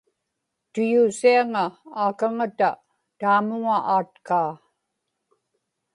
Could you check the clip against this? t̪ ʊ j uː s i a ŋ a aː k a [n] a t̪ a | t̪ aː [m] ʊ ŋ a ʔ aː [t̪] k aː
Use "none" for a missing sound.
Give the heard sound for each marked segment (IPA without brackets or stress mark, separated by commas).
ŋ, m, t̪